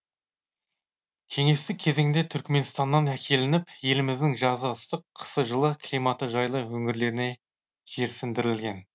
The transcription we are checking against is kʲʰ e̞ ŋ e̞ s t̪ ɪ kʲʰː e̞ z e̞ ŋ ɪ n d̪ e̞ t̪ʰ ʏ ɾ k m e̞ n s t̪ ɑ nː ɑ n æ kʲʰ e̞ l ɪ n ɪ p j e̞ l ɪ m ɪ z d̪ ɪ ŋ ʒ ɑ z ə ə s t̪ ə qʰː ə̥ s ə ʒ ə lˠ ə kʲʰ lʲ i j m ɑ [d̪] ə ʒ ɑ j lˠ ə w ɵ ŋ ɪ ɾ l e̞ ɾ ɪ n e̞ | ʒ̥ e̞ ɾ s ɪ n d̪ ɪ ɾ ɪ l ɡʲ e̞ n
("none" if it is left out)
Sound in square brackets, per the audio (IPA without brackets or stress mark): t̪